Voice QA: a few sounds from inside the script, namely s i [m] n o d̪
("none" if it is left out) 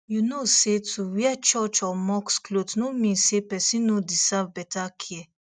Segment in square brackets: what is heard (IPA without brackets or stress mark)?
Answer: none